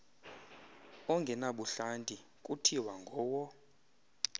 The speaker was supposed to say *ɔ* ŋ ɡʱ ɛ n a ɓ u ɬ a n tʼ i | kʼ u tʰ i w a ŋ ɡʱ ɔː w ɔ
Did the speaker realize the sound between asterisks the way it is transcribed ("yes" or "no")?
yes